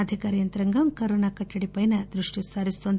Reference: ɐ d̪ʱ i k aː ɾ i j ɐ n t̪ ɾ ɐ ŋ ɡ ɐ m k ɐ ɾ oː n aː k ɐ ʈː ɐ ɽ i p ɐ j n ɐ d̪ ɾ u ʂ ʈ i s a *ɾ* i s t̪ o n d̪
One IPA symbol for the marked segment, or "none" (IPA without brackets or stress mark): ɾ